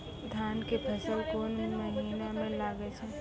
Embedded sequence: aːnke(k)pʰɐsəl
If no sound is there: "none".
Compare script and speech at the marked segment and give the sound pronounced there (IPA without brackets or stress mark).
none